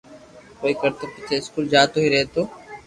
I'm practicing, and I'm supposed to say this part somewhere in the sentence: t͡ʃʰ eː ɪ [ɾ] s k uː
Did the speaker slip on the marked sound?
yes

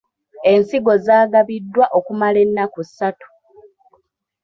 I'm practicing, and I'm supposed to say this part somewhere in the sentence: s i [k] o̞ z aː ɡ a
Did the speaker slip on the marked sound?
yes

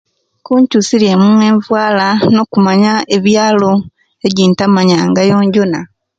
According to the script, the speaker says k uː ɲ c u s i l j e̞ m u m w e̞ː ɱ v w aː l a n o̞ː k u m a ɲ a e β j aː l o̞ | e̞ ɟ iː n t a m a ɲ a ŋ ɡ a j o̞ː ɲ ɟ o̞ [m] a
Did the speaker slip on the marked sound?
yes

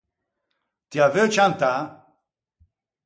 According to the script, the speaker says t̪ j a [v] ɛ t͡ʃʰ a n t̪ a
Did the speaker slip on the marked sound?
no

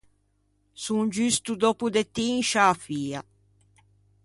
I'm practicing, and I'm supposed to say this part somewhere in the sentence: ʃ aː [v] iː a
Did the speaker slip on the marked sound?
yes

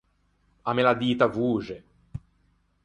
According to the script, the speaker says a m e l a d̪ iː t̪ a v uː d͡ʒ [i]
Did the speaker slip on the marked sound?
yes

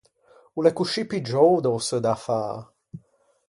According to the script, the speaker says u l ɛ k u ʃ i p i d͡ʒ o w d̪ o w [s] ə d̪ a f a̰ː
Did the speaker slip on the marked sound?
no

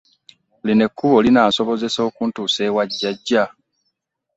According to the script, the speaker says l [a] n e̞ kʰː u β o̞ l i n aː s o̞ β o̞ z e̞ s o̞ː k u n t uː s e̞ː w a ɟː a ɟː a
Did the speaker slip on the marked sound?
yes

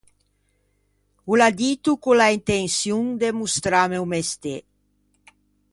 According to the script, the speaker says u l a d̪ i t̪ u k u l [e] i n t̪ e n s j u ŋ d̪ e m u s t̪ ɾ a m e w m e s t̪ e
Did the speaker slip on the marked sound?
yes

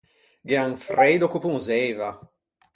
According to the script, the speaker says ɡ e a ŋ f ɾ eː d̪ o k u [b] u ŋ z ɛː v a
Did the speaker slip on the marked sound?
yes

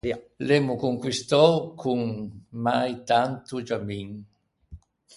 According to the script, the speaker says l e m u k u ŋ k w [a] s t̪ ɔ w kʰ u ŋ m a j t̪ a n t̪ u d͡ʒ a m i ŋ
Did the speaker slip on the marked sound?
yes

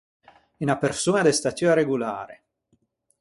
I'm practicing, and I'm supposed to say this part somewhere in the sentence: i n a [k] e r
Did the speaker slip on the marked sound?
yes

